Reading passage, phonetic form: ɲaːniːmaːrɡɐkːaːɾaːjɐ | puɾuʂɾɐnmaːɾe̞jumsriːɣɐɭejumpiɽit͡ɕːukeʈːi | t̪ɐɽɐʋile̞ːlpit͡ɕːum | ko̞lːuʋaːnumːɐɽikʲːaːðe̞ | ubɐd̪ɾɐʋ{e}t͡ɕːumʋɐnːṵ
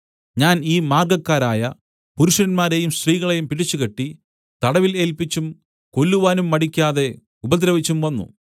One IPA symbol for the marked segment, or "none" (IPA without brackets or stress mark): i